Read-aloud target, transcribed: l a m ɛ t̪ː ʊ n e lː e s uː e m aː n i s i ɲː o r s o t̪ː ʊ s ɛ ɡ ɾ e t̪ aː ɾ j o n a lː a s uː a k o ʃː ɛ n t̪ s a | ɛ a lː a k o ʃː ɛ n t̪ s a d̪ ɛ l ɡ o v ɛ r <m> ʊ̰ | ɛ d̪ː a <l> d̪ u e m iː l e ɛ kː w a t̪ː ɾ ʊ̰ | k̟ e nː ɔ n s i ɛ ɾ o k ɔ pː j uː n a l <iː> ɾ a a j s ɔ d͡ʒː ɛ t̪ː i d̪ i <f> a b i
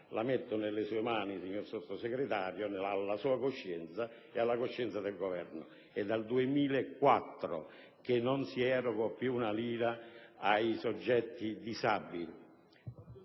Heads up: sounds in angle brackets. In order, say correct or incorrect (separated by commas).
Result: incorrect, correct, correct, incorrect